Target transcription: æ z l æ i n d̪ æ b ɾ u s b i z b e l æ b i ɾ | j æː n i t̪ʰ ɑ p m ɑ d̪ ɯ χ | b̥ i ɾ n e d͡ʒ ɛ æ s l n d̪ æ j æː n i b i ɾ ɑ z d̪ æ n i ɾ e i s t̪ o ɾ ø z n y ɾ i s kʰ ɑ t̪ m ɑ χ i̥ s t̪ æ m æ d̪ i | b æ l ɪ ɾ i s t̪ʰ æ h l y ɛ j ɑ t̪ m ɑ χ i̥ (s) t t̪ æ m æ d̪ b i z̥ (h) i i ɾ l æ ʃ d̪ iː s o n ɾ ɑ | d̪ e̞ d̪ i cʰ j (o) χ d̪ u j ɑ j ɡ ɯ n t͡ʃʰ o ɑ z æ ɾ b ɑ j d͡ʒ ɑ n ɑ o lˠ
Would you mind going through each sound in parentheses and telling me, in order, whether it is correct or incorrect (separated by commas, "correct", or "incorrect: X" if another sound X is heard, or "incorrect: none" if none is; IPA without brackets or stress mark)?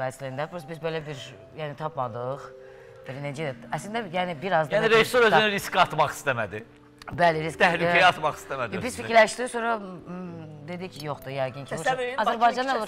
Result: correct, incorrect: f, correct